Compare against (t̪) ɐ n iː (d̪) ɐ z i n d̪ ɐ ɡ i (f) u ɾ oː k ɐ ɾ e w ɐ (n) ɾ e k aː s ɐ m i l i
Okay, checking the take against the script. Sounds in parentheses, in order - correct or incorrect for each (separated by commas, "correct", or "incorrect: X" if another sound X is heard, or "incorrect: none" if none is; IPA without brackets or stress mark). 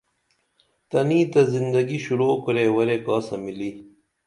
correct, incorrect: t̪, incorrect: ɕ, incorrect: none